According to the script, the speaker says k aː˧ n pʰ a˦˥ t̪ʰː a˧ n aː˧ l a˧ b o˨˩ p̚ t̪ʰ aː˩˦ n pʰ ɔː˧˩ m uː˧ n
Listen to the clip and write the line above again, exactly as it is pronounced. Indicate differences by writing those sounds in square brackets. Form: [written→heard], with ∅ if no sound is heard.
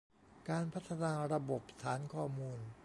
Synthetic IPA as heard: k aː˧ n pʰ a˦˥ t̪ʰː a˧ n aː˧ [l→ɾ] a˧ b o˨˩ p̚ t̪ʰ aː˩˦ n [pʰ→kʰ] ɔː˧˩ m uː˧ n

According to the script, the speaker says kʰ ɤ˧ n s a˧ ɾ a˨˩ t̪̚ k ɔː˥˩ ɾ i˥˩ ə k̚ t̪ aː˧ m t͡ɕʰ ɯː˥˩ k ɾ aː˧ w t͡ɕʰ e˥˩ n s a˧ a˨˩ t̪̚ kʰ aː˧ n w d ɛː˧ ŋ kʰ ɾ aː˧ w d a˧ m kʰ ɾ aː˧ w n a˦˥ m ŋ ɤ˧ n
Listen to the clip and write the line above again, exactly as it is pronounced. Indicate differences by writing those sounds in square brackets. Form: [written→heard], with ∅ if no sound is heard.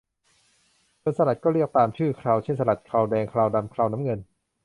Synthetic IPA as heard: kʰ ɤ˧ n s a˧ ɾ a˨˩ t̪̚ k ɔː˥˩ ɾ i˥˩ ə k̚ t̪ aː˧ m t͡ɕʰ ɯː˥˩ [k→kʰ] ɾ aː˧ w t͡ɕʰ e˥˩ n s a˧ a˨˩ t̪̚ kʰ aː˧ [n→∅] w d ɛː˧ ŋ kʰ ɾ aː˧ w d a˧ m kʰ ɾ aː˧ w n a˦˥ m ŋ ɤ˧ n

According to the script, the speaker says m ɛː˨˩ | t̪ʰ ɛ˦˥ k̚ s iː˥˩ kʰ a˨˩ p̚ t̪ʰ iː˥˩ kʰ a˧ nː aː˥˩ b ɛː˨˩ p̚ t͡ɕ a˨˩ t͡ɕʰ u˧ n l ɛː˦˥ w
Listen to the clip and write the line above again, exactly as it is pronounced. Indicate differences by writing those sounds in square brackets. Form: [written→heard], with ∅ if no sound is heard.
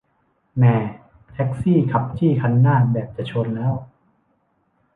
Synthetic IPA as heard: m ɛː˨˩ | t̪ʰ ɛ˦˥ k̚ s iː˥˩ kʰ a˨˩ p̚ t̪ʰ iː˥˩ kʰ a˧ nː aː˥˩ b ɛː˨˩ p̚ t͡ɕ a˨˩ t͡ɕʰ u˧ n l ɛː˦˥ w

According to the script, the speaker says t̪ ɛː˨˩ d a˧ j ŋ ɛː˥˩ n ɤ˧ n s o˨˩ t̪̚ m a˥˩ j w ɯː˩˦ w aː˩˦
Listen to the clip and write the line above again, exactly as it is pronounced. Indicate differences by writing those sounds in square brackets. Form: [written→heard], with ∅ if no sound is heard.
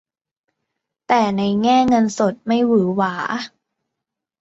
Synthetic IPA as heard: t̪ ɛː˨˩ [d→n] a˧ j ŋ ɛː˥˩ [n→ŋ] ɤ˧ n s o˨˩ t̪̚ m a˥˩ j w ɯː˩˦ w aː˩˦

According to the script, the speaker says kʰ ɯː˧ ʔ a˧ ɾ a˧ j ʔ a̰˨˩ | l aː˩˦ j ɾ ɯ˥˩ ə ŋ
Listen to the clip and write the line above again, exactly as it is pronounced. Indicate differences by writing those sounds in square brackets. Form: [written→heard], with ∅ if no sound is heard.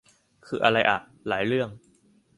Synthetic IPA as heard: kʰ ɯː˧ ʔ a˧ ɾ a˧ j ʔ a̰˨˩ | l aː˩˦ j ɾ ɯ˥˩ ə ŋ

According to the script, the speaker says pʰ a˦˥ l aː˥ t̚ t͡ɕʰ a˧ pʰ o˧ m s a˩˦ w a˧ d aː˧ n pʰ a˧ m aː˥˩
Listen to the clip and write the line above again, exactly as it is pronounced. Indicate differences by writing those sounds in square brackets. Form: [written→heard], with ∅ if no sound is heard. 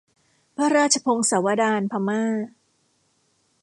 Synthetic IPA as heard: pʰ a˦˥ [l→ɾ] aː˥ t̚ t͡ɕʰ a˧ pʰ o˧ [m→ŋ] s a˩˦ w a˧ d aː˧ n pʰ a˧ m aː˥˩

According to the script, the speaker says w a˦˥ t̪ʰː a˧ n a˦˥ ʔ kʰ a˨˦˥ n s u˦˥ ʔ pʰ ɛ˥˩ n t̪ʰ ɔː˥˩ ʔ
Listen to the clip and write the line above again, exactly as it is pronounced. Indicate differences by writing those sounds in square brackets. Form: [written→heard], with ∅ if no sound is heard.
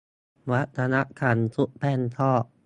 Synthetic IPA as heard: w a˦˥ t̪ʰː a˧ n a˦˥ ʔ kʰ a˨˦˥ n s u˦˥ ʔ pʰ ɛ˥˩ n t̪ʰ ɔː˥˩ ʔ

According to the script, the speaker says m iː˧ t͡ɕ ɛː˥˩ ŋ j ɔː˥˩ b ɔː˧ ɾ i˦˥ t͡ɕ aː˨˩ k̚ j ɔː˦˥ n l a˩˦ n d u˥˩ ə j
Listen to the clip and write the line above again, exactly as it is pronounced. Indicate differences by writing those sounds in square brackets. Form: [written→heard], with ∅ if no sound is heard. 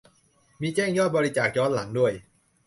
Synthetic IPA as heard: m iː˧ t͡ɕ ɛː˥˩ ŋ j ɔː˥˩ b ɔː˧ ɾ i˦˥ t͡ɕ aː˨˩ k̚ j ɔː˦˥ n l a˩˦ [n→ŋ] d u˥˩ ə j

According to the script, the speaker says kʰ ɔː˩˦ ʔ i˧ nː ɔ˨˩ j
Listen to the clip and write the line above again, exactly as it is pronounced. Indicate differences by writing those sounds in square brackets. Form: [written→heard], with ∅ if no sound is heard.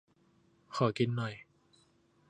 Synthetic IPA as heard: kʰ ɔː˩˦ [ʔ→k] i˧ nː ɔ˨˩ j

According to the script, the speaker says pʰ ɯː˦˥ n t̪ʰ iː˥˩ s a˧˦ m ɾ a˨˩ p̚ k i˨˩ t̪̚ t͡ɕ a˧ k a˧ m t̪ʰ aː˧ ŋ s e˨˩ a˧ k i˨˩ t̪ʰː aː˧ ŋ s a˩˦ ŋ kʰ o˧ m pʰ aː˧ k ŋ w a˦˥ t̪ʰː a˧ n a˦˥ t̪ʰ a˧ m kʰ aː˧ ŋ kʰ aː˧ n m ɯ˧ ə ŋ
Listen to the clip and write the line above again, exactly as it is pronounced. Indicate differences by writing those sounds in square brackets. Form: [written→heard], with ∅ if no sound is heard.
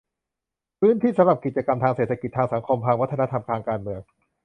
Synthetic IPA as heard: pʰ ɯː˦˥ n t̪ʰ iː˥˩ s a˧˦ m ɾ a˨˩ p̚ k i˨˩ t̪̚ t͡ɕ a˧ k a˧ m t̪ʰ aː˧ ŋ s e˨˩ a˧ k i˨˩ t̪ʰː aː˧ ŋ s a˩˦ ŋ kʰ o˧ m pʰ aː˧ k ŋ w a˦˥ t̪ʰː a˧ n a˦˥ t̪ʰ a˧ m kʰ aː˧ ŋ [kʰ→k] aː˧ n m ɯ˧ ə ŋ

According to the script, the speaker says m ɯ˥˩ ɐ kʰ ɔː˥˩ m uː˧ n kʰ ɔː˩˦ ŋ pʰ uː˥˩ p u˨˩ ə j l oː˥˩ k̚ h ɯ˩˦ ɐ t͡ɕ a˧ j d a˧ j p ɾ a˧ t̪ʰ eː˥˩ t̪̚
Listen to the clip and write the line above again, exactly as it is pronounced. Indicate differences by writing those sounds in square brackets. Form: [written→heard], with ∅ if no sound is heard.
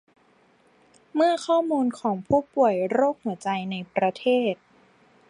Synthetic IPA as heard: m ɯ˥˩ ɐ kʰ ɔː˥˩ m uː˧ n kʰ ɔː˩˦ ŋ pʰ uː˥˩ p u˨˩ ə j [l→ɾ] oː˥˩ k̚ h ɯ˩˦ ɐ t͡ɕ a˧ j [d→n] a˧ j p ɾ a˧ t̪ʰ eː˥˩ t̪̚

